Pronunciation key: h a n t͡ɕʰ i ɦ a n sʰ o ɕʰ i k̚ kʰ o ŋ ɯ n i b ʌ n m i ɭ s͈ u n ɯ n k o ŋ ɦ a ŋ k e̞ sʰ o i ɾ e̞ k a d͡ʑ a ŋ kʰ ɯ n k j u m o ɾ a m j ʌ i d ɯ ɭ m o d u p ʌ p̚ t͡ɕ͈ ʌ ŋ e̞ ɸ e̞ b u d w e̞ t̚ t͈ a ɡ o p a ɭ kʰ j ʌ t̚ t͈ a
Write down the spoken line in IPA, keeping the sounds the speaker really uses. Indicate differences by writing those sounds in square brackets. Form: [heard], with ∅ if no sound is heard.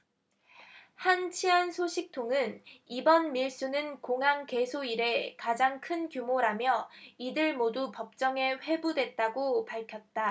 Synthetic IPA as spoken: h a n t͡ɕʰ i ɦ a n sʰ o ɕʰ i k̚ [tʰ] o ŋ ɯ n i b ʌ n m i ɭ s͈ u n ɯ n k o ŋ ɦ a ŋ k e̞ sʰ o i ɾ e̞ k a d͡ʑ a ŋ kʰ ɯ n k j u m o ɾ a m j ʌ i d ɯ ɭ m o d u p ʌ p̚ t͡ɕ͈ ʌ ŋ e̞ ɸ e̞ b u d w e̞ t̚ t͈ a ɡ o p a ɭ kʰ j ʌ t̚ t͈ a